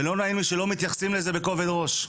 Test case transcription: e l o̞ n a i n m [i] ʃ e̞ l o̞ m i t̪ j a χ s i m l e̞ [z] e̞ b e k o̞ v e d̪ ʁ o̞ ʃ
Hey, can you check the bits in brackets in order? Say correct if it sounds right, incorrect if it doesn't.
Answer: correct, correct

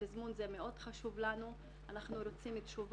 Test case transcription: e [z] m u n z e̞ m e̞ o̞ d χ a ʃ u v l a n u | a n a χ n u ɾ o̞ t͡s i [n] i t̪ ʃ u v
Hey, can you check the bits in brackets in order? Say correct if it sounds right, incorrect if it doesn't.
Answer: correct, incorrect: m

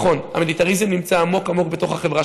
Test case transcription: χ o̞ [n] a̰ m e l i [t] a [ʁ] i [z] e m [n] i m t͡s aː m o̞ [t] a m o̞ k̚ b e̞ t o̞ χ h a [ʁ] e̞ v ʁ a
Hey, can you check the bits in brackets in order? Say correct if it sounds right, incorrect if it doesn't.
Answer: correct, correct, correct, correct, correct, incorrect: k, incorrect: χ

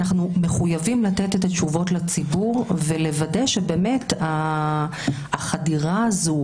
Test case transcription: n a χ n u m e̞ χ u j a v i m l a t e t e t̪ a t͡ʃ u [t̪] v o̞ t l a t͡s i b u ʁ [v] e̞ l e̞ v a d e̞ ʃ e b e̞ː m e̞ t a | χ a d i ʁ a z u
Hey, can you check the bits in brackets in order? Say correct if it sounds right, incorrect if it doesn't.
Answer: incorrect: none, correct

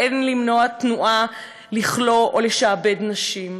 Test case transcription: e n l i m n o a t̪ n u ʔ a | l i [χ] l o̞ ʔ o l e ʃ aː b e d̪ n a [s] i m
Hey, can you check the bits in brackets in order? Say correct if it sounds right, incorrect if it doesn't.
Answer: correct, incorrect: ʃ

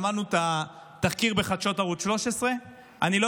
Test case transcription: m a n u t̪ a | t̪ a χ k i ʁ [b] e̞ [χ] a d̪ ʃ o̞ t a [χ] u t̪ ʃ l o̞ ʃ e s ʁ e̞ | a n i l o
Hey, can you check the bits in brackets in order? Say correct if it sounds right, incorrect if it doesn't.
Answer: correct, correct, incorrect: ʁ

